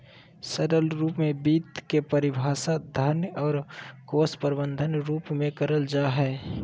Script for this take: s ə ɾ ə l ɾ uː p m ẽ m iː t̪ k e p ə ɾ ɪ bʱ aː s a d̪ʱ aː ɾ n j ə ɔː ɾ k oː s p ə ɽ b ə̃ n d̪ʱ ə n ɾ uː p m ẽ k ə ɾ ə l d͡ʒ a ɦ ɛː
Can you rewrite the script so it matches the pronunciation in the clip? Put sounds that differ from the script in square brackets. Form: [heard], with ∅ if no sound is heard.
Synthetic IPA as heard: s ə ɾ ə l ɾ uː p m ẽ [b] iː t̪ k e p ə ɾ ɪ bʱ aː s a d̪ʱ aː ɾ n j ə ɔː ɾ k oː s p ə [ɾ] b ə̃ n d̪ʱ ə n ɾ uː p m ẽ k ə ɾ ə l d͡ʒ a ɦ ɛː